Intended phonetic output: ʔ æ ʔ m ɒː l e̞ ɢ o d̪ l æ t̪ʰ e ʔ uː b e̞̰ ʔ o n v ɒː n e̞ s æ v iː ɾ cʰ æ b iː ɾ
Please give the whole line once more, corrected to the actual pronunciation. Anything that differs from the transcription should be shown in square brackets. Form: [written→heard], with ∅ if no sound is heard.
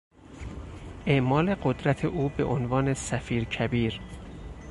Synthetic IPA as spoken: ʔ [æ→e] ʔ m ɒː l e̞ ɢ o d̪ [l→ɾ] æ t̪ʰ e ʔ uː b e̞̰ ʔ o n v ɒː n e̞ s æ [v→f] iː ɾ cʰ æ b iː ɾ